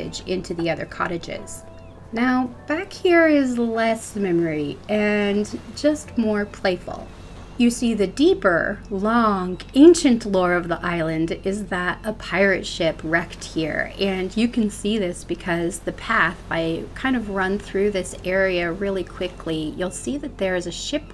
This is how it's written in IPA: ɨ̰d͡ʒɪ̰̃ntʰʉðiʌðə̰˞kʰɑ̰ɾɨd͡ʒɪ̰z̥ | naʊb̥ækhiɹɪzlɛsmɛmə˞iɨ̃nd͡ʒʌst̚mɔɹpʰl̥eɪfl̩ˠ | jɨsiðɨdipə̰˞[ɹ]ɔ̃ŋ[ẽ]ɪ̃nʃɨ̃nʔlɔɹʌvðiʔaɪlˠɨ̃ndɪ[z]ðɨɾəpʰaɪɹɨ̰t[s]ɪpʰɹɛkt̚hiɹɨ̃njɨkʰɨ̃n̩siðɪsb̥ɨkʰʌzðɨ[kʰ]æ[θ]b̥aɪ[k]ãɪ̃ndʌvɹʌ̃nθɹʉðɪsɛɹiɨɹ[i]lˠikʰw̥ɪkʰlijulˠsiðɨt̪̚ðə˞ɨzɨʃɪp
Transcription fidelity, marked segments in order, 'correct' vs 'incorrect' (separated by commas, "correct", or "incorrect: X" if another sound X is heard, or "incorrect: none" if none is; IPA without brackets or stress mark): incorrect: l, correct, correct, incorrect: ʃ, incorrect: pʰ, correct, incorrect: kʰ, incorrect: ɪ